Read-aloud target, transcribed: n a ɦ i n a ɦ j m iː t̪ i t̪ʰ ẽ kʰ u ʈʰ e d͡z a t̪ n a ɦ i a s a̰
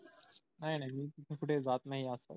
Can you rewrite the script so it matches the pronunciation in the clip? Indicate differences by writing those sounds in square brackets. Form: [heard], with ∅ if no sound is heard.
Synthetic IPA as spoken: n a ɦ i n a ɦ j m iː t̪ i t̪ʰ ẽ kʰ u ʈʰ e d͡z a t̪ n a ɦ i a s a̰